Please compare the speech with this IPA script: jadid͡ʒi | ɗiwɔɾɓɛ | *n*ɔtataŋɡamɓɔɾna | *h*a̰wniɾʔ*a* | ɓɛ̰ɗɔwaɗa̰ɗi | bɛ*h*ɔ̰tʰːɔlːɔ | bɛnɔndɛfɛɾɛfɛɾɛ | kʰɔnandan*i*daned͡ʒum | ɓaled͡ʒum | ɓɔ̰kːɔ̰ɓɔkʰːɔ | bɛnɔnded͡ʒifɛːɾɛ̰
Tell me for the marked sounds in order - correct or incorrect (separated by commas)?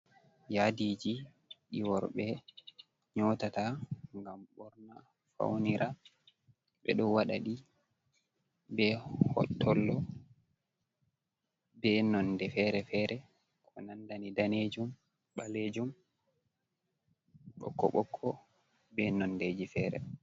incorrect, incorrect, correct, correct, correct